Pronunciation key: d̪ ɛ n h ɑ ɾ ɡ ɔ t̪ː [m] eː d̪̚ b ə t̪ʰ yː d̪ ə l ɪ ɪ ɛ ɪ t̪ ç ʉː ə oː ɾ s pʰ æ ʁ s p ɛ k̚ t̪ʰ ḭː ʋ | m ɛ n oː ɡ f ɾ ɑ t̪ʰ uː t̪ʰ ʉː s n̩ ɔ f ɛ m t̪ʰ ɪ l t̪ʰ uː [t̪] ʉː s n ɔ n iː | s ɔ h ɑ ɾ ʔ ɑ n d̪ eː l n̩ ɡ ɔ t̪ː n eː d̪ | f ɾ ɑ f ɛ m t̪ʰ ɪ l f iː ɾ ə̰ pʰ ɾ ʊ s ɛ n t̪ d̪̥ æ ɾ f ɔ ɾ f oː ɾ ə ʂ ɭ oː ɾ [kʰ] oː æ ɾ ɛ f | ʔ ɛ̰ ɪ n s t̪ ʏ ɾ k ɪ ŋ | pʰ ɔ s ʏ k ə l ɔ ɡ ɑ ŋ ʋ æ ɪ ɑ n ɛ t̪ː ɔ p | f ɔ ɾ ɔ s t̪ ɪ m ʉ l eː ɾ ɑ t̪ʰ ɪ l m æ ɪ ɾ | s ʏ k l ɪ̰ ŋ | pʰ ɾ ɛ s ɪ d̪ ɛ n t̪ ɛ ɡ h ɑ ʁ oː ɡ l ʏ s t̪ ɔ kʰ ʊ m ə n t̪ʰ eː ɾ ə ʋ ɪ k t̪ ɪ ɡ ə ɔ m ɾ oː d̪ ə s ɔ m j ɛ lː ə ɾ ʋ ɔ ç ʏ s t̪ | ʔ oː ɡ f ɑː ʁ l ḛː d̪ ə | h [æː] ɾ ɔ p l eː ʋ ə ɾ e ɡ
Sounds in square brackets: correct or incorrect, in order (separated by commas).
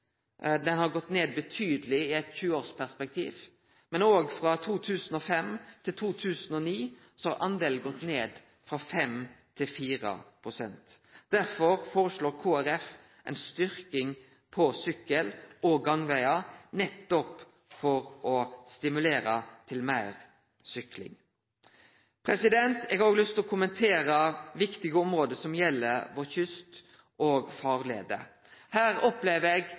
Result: incorrect, incorrect, correct, correct